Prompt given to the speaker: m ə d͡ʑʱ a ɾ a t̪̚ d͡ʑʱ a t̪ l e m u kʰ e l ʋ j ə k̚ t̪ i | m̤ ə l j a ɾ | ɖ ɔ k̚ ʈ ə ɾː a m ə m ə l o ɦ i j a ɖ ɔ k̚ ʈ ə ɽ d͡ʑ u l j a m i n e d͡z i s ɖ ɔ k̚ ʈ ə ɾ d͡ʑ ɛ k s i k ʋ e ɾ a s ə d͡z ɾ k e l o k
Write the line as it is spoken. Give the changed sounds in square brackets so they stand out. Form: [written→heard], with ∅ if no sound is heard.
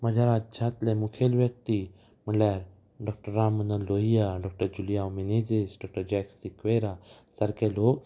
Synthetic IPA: m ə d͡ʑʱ a ɾ a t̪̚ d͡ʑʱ a t̪ l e m u kʰ e l ʋ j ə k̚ t̪ i | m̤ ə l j a ɾ | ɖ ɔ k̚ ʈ ə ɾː a m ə [m→n] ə l o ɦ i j a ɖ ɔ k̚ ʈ ə [ɽ→ɾ] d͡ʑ u l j a m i n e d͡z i s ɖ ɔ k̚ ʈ ə ɾ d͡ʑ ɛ k s i k ʋ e ɾ a s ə [d͡z→∅] ɾ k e l o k